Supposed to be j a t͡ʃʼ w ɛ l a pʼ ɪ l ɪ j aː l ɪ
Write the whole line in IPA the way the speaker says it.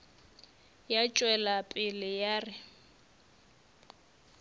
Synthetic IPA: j a t͡ʃʼ w ɛ l a pʼ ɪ l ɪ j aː r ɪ